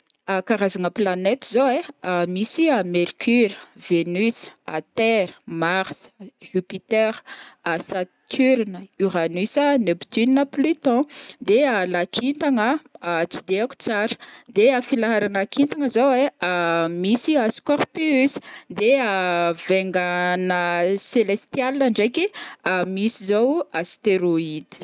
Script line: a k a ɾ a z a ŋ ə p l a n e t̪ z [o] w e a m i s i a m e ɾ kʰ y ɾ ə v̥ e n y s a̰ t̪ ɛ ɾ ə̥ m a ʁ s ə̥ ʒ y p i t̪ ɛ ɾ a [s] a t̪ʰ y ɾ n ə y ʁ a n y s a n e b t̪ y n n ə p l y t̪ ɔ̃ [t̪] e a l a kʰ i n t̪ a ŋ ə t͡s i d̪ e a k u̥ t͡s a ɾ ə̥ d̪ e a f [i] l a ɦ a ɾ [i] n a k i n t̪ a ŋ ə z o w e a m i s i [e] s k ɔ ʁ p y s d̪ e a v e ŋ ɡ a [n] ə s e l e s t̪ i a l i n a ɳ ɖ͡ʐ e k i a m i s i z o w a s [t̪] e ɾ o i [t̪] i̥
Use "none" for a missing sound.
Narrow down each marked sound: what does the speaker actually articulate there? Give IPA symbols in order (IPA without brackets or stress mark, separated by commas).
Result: o, s, d̪, i, a, a, n, t̪, d̪